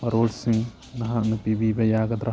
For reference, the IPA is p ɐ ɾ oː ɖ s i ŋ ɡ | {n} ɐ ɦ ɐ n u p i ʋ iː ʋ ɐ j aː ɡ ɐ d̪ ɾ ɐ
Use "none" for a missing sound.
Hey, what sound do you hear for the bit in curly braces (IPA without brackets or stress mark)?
n